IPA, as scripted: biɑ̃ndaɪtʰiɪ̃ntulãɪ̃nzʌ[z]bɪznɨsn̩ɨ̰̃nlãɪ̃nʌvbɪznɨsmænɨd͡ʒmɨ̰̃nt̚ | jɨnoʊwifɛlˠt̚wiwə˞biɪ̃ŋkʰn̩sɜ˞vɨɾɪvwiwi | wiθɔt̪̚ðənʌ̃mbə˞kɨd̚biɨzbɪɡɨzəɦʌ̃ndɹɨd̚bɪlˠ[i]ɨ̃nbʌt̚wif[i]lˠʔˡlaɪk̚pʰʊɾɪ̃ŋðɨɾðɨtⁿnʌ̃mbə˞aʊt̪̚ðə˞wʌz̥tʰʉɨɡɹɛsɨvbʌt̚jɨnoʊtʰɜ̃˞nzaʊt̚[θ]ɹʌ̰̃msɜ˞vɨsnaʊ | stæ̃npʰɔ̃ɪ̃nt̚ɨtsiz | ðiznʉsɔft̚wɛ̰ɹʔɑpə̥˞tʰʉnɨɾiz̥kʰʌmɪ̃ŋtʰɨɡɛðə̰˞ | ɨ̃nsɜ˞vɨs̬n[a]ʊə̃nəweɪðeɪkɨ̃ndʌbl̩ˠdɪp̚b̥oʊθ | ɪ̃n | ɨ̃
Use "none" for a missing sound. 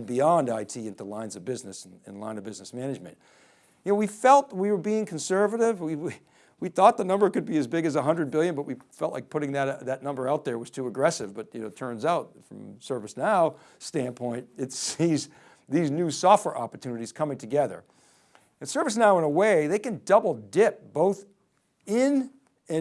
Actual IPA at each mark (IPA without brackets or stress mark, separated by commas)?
v, j, ɛ, f, a